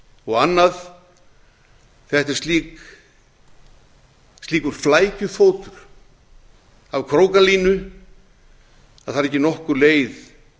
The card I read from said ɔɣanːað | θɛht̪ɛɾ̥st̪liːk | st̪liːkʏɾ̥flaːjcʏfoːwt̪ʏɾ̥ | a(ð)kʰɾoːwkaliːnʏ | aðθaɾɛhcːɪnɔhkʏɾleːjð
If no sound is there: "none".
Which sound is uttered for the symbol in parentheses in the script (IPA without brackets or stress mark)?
v